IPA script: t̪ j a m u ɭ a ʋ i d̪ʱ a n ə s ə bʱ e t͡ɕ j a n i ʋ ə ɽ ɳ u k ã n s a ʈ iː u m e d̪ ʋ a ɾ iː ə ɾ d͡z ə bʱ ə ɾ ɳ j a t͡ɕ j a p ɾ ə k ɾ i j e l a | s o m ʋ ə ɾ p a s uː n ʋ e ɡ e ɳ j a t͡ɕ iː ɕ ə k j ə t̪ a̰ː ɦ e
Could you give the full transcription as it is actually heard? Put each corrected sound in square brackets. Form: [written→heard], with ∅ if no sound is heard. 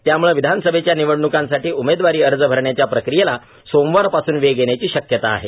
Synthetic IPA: t̪ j a m u ɭ [a→e] ʋ i d̪ʱ a n ə s ə bʱ e t͡ɕ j a n i ʋ ə ɽ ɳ u k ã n s a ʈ iː u m e d̪ ʋ a ɾ iː ə ɾ d͡z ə bʱ ə ɾ ɳ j a t͡ɕ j a p ɾ ə k ɾ i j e l a | s o m ʋ [ə→a] ɾ p a s uː n ʋ e ɡ e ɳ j a t͡ɕ iː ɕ ə k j ə t̪ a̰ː ɦ e